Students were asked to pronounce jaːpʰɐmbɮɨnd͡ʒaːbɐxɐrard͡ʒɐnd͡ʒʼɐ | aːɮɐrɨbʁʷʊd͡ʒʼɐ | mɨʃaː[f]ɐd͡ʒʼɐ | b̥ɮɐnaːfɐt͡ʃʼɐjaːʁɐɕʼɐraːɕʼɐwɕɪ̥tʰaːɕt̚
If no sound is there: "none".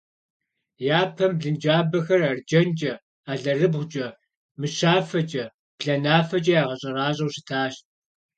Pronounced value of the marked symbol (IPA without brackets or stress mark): f